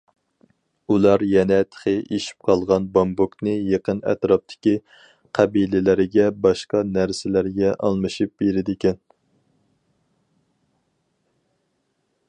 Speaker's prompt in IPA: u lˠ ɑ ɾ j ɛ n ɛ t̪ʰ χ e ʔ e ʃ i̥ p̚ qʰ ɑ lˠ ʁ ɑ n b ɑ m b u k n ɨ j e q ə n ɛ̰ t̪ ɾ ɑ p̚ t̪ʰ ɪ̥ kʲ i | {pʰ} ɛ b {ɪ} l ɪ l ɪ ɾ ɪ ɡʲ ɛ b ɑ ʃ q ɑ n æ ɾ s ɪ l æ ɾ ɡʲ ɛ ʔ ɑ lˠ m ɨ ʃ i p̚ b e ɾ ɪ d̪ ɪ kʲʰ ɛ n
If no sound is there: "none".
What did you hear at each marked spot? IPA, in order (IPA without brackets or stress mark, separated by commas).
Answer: qʰ, i